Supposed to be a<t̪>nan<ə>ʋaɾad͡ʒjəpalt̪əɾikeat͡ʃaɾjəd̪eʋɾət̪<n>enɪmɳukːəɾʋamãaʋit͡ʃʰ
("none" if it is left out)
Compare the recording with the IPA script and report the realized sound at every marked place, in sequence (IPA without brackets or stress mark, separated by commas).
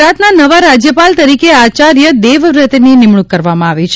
t̪, ə, n